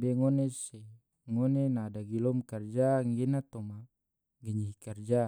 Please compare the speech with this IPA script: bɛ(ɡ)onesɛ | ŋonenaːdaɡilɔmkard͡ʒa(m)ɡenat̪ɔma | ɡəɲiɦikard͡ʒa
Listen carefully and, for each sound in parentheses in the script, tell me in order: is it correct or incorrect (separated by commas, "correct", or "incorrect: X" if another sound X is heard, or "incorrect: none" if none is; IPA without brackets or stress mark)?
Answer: incorrect: ŋ, incorrect: ŋ